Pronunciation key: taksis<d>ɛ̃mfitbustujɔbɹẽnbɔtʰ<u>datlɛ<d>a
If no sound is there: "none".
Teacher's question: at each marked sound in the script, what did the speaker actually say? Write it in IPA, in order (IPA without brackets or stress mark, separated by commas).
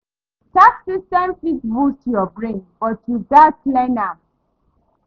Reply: t, u, n